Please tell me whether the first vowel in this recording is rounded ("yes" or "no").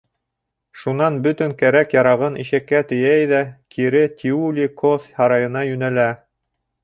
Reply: yes